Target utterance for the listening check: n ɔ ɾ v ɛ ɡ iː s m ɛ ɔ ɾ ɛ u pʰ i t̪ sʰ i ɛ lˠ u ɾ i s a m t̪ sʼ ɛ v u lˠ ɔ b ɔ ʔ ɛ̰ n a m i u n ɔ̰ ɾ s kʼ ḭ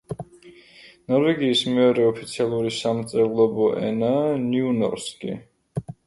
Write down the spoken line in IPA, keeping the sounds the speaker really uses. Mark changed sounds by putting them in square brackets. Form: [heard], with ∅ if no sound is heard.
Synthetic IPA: n ɔ ɾ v ɛ ɡ iː s m ɛ ɔ ɾ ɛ [ɔ] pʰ i t̪ sʰ i [a] lˠ u ɾ i s a m t̪ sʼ ɛ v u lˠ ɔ b ɔ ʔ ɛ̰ n a [n] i u n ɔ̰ ɾ s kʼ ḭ